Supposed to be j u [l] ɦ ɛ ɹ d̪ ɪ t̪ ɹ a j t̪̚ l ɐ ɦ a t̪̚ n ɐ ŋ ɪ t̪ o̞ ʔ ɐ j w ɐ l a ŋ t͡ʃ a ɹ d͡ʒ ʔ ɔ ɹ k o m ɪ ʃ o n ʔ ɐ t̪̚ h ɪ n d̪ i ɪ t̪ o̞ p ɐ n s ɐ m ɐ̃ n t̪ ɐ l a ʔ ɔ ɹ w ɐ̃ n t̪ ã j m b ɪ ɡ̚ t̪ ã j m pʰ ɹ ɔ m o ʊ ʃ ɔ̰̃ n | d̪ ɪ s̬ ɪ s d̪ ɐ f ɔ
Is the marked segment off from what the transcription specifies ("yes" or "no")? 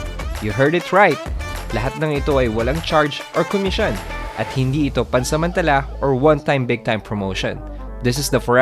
yes